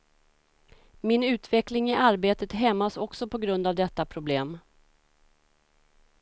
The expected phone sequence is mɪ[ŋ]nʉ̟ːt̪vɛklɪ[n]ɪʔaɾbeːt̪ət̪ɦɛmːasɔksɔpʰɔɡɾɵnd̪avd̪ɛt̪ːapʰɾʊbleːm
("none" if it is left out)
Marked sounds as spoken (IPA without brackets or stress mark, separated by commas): none, ŋ